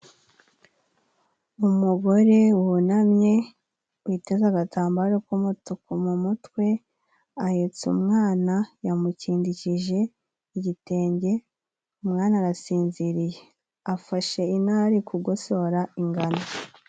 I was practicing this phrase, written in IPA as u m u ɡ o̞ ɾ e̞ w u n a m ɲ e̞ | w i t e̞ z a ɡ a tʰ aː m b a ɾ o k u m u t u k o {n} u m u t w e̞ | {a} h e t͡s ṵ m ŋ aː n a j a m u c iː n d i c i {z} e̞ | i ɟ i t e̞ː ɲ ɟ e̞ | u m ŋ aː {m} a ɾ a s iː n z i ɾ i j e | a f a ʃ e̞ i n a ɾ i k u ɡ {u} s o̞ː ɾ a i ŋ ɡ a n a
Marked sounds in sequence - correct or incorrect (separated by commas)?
incorrect, correct, incorrect, incorrect, incorrect